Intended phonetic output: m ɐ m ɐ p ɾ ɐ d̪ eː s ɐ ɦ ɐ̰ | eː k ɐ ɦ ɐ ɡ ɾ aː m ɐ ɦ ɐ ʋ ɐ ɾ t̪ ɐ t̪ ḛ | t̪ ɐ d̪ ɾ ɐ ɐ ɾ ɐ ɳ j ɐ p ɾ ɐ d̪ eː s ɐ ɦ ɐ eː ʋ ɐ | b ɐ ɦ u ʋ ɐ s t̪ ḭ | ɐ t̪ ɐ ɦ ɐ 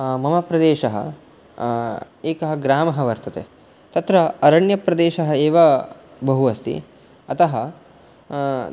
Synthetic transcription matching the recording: m ɐ m ɐ p ɾ ɐ d̪ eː ʃ ɐ ɦ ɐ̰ | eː k ɐ ɦ ɐ ɡ ɾ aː m ɐ ɦ ɐ ʋ ɐ ɾ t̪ ɐ t̪ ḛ | t̪ ɐ t̪ ɾ ɐ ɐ ɾ ɐ ɳ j ɐ p ɾ ɐ d̪ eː ʃ ɐ ɦ ɐ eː ʋ ɐ | b ɐ ɦ u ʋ ɐ s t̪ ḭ | ɐ t̪ ɐ ɦ ɐ

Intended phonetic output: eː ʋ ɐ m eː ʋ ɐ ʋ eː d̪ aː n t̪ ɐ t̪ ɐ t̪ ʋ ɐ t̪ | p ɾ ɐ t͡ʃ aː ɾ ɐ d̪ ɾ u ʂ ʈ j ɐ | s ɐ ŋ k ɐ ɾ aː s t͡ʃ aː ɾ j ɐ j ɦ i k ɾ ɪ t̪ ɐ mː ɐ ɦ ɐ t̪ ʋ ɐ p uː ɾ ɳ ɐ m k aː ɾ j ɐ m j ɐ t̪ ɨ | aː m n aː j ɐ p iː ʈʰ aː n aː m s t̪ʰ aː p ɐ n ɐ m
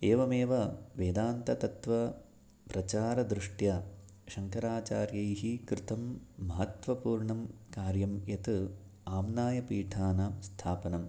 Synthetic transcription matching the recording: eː ʋ ɐ m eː ʋ ɐ ʋ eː d̪ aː n t̪ ɐ t̪ ɐ t̪ ʋ ɐ | p ɾ ɐ t͡ʃ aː ɾ ɐ d̪ ɾ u ʂ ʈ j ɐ | ʃ ɐ ŋ k ɐ ɾ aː t͡ʃ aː ɾ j ɐ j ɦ i k ɾ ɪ t̪ ɐ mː ɐ ɦ ɐ t̪ ʋ ɐ p uː ɾ ɳ ɐ m k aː ɾ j ɐ m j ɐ t̪ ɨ | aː m n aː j ɐ p iː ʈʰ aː n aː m s t̪ʰ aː p ɐ n ɐ m

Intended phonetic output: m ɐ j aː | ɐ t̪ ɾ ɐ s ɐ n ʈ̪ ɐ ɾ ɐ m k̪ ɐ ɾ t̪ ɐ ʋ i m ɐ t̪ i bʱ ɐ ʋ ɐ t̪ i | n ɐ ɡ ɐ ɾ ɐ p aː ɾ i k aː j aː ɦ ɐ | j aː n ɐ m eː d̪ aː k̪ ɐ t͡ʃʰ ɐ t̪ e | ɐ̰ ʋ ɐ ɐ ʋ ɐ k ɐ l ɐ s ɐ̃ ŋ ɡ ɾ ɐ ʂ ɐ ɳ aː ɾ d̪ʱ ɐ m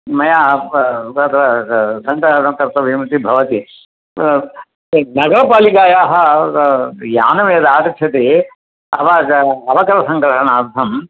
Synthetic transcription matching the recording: m ɐ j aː | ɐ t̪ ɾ ɐ s ɐ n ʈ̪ ɐ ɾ ɐ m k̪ ɐ ɾ t̪ ɐ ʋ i m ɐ t̪ i bʱ ɐ ʋ ɐ t̪ i | n ɐ ɡ ɐ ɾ ɐ p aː l i k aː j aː ɦ ɐ | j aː n ɐ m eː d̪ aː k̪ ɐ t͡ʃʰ ɐ t̪ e | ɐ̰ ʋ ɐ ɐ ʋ ɐ k ɐ ɾ ɐ s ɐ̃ ŋ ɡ ɾ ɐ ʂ ɐ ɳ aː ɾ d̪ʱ ɐ m

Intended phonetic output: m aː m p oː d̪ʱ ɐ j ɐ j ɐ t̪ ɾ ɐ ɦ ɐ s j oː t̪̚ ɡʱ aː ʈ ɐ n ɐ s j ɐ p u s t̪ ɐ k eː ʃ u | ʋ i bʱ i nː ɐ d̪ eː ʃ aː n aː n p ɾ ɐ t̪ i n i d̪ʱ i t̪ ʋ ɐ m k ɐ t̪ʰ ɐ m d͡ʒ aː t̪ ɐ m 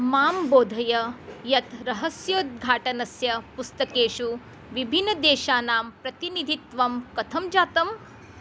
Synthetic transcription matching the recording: m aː m b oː d̪ʱ ɐ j ɐ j ɐ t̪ ɾ ɐ ɦ ɐ s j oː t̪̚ ɡʱ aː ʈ ɐ n ɐ s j ɐ p u s t̪ ɐ k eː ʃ u | ʋ i bʱ i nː ɐ d̪ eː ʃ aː n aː m p ɾ ɐ t̪ i n i d̪ʱ i t̪ ʋ ɐ m k ɐ t̪ʰ ɐ m d͡ʒ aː t̪ ɐ m

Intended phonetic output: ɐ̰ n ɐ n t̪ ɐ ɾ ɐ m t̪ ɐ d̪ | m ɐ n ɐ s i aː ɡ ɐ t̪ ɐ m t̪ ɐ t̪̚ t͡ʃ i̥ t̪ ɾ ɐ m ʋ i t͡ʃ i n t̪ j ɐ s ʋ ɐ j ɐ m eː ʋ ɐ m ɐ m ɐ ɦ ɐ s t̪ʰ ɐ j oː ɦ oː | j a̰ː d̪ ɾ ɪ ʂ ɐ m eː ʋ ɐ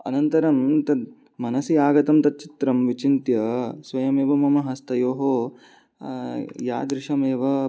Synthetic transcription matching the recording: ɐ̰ n ɐ n t̪ ɐ ɾ ɐ m t̪ ɐ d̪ | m ɐ n ɐ s i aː ɡ ɐ t̪ ɐ m t̪ ɐ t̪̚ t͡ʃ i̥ t̪ ɾ ɐ m ʋ i t͡ʃ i n t̪ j ɐ s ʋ ɐ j ɐ m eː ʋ ɐ m ɐ m ɐ ɦ ɐ s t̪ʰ ɐ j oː ɦ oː | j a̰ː d̪ ɾ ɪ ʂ ɐ m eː ʋ ɐ

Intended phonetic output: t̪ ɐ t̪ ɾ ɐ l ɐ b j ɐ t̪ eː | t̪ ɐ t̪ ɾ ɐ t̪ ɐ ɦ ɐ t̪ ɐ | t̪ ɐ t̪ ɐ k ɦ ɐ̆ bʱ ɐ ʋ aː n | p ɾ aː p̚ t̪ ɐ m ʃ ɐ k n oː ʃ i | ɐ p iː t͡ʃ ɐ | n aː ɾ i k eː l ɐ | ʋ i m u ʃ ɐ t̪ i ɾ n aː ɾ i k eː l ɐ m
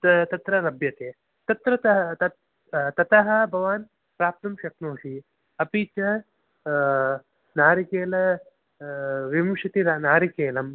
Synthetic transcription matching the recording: t̪ ɐ t̪ ɾ ɐ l ɐ b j ɐ t̪ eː | t̪ ɐ t̪ ɾ ɐ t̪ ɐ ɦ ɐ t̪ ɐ | t̪ ɐ t̪ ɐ ɦ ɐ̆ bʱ ɐ ʋ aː n | p ɾ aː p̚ t̪ ɐ m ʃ ɐ k n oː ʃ i | ɐ p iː t͡ʃ ɐ | n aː ɾ i k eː l ɐ | ʋ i m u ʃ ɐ t̪ i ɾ n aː ɾ i k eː l ɐ m

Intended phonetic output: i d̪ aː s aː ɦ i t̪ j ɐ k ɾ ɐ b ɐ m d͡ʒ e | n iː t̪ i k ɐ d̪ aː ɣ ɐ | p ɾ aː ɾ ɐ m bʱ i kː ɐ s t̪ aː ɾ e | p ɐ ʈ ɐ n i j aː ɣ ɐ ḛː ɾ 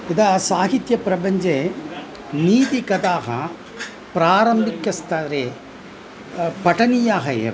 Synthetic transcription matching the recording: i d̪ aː s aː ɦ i t̪ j ɐ p ɾ ɐ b ɐ ɲ d͡ʒ e | n iː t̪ i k ɐ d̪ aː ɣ ɐ | p ɾ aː ɾ ɐ m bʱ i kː ɐ s t̪ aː ɾ e | p ɐ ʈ ɐ n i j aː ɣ ɐ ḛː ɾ

